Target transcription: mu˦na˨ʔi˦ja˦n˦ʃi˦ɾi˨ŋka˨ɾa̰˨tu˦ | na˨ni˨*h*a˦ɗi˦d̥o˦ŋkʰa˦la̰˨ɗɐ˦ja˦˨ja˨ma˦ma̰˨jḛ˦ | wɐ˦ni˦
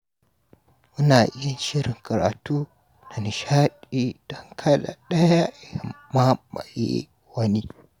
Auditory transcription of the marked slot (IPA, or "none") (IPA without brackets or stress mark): ʃ